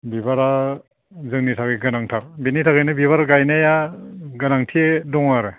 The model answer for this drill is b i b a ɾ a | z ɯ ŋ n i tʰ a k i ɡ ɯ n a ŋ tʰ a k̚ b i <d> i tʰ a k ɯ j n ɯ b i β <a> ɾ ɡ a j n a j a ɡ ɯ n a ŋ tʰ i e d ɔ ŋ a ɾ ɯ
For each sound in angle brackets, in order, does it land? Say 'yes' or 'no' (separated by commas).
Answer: no, yes